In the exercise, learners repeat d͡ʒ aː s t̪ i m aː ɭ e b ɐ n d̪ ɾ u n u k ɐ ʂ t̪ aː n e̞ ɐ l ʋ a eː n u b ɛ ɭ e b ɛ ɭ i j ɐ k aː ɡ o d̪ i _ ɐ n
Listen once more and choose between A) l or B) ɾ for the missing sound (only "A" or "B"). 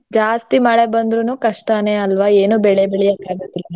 A